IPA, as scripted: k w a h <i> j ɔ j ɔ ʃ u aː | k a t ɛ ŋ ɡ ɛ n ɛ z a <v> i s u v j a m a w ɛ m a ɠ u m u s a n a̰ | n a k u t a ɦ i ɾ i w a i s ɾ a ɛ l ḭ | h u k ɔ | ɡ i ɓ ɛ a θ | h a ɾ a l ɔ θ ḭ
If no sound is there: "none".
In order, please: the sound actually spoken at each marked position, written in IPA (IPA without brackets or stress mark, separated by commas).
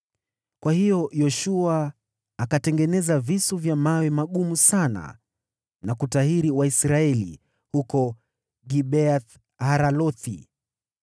i, v